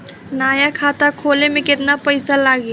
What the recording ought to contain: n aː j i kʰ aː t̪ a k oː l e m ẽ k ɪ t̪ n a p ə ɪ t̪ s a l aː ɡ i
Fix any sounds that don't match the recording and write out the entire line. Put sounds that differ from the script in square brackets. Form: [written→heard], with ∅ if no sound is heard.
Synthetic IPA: n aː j [i→a] kʰ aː t̪ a [k→kʰ] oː l e m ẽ k ɪ t̪ n a p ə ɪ [t̪→∅] s a l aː ɡ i